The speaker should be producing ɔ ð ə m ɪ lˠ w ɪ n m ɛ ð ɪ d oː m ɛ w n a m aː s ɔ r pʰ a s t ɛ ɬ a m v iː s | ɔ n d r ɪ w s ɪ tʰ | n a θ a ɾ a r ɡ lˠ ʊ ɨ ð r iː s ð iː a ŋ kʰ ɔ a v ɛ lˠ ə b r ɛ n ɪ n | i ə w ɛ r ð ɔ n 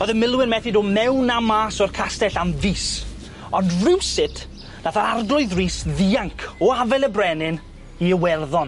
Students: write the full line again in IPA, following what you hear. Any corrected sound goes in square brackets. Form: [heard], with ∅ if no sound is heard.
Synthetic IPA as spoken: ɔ ð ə m ɪ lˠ w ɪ n m ɛ [θ] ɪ d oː m ɛ w n a m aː s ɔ r [kʰ] a s t ɛ ɬ a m v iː s | ɔ n d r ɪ w s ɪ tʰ | n a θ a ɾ a r ɡ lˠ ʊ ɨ ð r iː s ð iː a ŋ kʰ ɔ a v ɛ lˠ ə b r ɛ n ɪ n | i ə w ɛ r ð ɔ n